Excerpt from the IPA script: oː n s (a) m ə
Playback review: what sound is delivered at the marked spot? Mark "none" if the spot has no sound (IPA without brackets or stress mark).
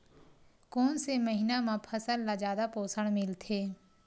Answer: e